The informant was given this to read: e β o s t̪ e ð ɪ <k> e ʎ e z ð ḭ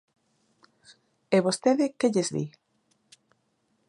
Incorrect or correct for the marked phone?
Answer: correct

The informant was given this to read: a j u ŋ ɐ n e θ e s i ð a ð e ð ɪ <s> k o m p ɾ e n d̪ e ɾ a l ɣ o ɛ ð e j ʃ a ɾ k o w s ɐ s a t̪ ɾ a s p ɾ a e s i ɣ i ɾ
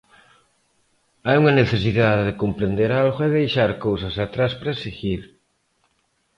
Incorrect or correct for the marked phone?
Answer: incorrect: none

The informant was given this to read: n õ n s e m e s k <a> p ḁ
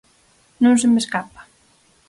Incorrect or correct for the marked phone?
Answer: correct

